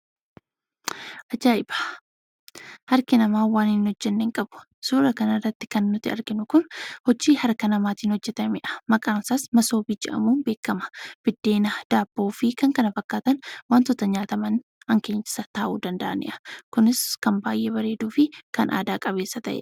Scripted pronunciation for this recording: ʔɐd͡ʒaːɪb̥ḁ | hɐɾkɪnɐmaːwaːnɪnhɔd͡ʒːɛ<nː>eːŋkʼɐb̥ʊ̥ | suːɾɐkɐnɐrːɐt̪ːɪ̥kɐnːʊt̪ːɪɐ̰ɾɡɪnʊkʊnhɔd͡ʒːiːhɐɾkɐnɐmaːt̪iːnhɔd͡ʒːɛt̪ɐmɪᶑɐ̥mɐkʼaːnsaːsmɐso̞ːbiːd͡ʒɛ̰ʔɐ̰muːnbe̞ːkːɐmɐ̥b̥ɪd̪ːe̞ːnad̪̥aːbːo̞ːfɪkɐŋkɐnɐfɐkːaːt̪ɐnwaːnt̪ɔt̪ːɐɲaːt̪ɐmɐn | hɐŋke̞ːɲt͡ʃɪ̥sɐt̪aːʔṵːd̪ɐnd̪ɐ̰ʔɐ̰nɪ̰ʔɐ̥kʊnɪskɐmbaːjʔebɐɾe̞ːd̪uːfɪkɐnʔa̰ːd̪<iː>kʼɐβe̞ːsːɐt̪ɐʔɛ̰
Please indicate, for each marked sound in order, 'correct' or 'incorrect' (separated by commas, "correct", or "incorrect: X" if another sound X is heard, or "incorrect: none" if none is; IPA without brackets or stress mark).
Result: correct, incorrect: aː